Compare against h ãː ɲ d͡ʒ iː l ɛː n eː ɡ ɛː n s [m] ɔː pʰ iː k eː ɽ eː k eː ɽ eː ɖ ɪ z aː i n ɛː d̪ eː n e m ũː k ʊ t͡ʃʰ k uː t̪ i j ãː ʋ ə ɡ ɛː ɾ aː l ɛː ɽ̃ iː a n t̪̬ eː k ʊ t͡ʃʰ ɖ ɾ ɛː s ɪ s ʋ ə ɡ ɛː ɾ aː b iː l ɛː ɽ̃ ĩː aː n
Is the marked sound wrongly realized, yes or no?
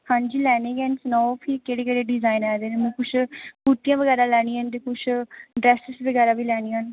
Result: yes